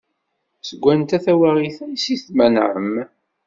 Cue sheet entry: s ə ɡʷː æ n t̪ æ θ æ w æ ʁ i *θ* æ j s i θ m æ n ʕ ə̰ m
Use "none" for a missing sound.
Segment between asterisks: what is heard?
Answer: θ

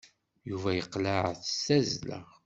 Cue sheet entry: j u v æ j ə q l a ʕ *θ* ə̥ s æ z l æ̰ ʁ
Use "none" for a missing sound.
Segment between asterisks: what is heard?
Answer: θ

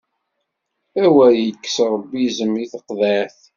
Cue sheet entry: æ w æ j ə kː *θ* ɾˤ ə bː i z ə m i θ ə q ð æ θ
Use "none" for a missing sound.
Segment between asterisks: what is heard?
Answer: s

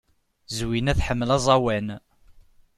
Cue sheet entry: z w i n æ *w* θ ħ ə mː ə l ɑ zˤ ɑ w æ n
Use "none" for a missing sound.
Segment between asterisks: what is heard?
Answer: none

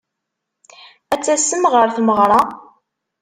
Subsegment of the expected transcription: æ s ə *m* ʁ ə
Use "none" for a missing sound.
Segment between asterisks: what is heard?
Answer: m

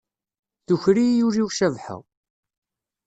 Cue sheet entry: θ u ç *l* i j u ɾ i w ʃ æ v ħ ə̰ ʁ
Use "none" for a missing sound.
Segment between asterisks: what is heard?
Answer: ɾ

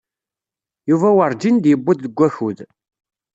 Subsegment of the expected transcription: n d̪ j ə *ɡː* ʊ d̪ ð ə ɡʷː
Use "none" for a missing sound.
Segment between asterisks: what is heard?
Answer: bː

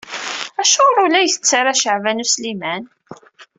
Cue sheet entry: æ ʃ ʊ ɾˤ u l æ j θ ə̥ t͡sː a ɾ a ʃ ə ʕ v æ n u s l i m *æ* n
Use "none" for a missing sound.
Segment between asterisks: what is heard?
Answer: æ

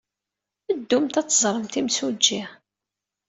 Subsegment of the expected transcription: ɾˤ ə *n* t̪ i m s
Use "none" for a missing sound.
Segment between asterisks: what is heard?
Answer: m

